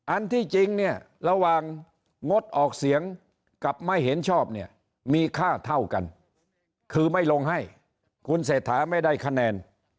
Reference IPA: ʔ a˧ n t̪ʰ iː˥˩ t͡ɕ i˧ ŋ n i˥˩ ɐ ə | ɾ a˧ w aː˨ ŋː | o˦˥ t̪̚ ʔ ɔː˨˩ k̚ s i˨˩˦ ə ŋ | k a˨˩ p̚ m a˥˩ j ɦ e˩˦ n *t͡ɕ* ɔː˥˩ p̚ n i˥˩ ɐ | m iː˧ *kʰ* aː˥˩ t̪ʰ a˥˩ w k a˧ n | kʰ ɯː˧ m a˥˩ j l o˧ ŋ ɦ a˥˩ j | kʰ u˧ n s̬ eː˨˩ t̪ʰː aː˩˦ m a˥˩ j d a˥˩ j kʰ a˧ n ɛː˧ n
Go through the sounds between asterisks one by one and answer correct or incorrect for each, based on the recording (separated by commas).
incorrect, correct